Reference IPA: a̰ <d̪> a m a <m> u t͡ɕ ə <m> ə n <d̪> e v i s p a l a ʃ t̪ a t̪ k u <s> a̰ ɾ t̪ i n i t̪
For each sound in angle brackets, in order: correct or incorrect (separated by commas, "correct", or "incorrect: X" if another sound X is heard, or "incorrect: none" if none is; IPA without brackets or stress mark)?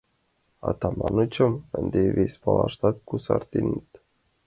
incorrect: t̪, incorrect: n, correct, correct, correct